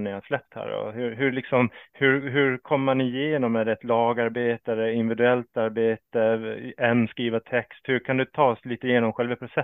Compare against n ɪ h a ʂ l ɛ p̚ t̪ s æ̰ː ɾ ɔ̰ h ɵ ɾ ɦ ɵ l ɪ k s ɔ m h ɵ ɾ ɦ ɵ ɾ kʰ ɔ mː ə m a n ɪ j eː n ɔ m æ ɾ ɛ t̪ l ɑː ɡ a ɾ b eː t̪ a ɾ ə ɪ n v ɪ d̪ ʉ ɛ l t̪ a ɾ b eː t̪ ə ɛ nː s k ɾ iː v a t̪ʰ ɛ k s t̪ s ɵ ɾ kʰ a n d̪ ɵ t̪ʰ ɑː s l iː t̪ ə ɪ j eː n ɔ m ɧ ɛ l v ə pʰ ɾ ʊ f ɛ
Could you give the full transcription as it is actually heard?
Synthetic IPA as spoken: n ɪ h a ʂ l ɛ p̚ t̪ h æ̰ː ɾ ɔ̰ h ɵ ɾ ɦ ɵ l ɪ k s ɔ m h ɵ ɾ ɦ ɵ ɾ kʰ ɔ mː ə m a n ɪ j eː n ɔ m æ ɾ ɛ t̪ l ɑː ɡ a ɾ b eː t̪ a ɾ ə ɪ n v ɪ d̪ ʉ ɛ l t̪ a ɾ b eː t̪ ə ɛ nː s k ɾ iː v a t̪ʰ ɛ k s t̪ h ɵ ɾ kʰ a n d̪ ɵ t̪ʰ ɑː s l iː t̪ ə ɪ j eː n ɔ m ɧ ɛ l v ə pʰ ɾ ʊ s ɛ